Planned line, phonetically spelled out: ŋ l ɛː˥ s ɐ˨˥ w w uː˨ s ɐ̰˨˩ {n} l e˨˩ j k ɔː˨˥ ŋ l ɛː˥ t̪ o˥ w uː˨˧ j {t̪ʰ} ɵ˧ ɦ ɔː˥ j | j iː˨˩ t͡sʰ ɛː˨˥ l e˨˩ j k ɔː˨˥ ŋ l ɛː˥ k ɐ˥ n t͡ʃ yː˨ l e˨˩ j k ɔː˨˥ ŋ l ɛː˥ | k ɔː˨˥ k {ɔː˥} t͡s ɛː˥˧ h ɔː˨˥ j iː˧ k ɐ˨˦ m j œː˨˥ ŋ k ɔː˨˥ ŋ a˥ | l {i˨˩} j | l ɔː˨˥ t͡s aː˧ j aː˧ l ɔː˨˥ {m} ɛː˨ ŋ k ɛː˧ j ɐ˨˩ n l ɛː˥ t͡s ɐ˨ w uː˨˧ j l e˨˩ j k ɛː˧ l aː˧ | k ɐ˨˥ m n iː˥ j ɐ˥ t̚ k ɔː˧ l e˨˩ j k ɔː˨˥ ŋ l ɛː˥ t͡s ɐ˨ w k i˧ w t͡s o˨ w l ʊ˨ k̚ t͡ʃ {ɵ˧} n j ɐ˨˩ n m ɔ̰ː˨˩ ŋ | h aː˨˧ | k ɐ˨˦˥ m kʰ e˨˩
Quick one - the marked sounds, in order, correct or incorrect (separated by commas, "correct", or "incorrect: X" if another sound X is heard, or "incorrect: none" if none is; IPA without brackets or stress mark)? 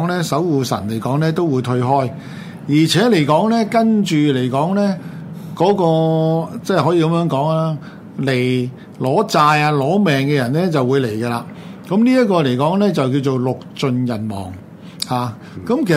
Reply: correct, correct, incorrect: ɔː˧, incorrect: e˨˩, correct, correct